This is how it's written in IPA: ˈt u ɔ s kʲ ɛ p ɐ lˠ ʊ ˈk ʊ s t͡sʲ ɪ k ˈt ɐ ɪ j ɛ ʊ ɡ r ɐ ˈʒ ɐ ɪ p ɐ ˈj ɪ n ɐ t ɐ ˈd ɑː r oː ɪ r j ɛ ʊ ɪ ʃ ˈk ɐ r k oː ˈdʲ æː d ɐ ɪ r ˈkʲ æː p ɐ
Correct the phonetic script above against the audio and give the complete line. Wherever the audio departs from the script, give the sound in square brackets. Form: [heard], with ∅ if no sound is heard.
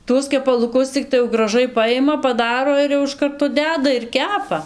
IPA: ˈt u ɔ s kʲ ɛ p ɐ lˠ ʊ ˈk ʊ s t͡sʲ ɪ k ˈt ɐ ɪ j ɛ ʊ ɡ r ɐ ˈʒ ɐ ɪ p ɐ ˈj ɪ [m] ɐ [p] ɐ ˈd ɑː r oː ɪ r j ɛ ʊ ɪ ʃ ˈk ɐ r [t] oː ˈdʲ æː d ɐ ɪ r ˈkʲ æː p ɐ